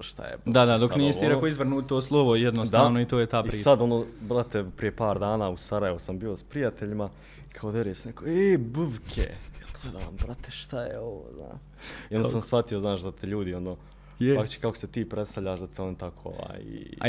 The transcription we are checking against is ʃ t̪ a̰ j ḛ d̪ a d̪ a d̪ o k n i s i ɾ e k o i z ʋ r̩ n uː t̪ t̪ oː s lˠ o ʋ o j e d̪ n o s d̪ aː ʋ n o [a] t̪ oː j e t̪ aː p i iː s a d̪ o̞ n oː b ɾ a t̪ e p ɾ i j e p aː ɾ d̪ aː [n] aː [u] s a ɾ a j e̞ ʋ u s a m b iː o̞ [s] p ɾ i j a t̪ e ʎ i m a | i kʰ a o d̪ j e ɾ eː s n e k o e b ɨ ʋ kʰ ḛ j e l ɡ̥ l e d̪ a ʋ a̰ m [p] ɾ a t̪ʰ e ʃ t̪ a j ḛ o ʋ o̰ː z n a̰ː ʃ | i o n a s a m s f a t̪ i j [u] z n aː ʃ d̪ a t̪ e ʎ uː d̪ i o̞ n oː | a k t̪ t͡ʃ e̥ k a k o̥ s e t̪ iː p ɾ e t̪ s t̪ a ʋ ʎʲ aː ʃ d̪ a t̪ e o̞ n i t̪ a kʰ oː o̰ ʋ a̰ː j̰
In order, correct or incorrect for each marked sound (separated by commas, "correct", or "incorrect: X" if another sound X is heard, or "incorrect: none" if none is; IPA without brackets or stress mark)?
incorrect: i, correct, correct, correct, incorrect: b, incorrect: o